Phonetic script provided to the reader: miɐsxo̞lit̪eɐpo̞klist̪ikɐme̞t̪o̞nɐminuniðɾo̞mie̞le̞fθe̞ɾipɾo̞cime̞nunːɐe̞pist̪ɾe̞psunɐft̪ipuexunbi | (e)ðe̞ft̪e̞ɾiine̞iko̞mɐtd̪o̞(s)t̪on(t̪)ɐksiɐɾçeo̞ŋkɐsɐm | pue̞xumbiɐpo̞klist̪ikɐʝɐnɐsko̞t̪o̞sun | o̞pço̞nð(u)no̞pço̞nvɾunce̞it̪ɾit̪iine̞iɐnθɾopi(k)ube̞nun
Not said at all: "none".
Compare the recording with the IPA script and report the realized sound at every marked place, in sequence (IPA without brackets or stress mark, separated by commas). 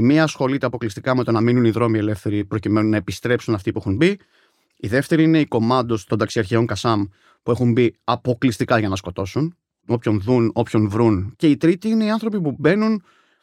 i, s, d̪, u, p